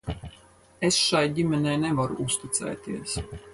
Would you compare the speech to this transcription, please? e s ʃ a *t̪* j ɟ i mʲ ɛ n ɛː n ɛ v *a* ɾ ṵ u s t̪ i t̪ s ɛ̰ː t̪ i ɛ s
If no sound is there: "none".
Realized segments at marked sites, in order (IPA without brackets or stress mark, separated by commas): none, a